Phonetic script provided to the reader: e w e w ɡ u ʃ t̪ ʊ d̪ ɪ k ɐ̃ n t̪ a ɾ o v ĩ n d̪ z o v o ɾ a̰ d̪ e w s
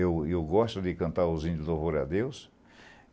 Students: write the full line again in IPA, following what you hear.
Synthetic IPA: e w e w ɡ ɔ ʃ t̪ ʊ d̪ ɪ k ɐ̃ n t̪ a ɾ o z ĩ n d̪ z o v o ɾ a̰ d̪ e w s